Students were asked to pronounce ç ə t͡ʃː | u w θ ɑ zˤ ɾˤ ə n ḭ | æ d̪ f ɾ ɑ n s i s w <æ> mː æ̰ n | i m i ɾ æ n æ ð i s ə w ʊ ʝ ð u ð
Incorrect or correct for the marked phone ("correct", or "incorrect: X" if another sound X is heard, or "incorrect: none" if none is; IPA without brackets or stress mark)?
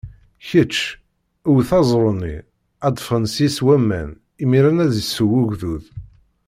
correct